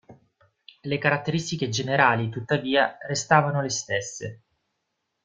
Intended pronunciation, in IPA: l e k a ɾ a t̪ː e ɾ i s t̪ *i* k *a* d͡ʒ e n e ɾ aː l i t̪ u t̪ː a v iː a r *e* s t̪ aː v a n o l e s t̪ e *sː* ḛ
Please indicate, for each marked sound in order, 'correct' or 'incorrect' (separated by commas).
correct, incorrect, correct, correct